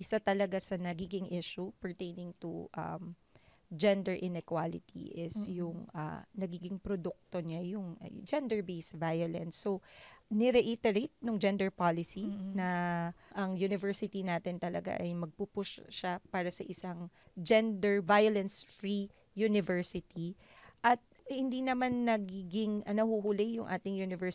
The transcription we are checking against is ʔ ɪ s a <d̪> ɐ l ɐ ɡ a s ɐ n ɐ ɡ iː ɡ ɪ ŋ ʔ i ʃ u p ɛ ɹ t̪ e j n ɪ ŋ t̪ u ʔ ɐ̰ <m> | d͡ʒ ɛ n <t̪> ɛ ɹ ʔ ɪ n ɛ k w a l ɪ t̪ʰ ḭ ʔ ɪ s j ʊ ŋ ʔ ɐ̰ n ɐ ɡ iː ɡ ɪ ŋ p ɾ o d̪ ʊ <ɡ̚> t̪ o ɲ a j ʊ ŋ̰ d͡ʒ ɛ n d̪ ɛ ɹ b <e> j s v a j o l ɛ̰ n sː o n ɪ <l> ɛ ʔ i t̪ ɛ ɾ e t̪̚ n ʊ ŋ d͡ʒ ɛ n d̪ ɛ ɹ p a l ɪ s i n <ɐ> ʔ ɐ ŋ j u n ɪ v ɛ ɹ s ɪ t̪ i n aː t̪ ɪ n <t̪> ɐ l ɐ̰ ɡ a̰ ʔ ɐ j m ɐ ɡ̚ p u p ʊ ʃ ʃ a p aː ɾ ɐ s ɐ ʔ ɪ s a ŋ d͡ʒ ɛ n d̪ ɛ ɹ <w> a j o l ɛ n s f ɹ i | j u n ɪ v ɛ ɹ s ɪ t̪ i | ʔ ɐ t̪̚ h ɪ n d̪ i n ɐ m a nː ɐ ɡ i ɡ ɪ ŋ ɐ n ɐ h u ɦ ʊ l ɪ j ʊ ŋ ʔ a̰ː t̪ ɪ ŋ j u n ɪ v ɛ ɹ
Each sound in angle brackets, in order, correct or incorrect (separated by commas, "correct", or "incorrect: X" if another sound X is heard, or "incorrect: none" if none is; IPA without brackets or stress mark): incorrect: t̪, correct, incorrect: d̪, incorrect: k̚, correct, incorrect: ɾ, correct, correct, incorrect: v